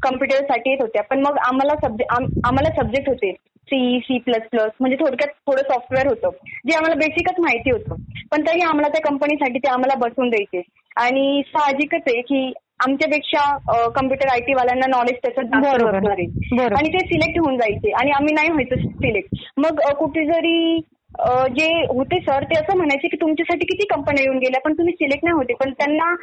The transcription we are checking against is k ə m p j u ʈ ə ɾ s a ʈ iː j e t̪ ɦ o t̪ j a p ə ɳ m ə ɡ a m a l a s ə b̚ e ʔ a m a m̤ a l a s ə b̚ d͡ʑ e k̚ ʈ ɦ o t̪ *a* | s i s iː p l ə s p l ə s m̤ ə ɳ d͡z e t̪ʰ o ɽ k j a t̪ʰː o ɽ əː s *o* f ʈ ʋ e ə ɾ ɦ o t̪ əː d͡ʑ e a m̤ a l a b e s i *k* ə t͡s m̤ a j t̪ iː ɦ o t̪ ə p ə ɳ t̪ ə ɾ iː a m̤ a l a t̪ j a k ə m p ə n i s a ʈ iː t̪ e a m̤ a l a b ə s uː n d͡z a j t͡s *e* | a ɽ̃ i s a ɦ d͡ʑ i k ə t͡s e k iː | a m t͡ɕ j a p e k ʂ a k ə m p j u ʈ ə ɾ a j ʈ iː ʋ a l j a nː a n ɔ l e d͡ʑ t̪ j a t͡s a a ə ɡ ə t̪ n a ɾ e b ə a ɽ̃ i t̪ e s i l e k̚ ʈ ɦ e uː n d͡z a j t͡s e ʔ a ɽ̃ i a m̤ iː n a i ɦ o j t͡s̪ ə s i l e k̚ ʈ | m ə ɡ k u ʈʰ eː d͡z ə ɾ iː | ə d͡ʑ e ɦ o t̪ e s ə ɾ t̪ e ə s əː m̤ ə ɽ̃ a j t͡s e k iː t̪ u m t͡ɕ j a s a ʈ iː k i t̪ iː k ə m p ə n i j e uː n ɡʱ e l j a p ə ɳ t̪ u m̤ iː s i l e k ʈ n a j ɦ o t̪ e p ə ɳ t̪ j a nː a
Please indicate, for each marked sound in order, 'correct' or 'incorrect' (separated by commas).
incorrect, incorrect, correct, correct